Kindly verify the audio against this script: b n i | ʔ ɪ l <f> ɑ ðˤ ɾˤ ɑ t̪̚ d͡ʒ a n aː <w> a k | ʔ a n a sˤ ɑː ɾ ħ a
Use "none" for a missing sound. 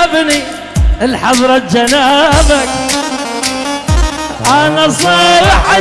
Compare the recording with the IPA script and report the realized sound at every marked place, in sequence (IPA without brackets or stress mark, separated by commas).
ħ, b